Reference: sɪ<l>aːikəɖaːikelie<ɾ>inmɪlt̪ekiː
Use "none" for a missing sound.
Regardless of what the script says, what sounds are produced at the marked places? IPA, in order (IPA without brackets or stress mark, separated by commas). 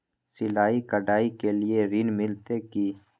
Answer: l, ɾ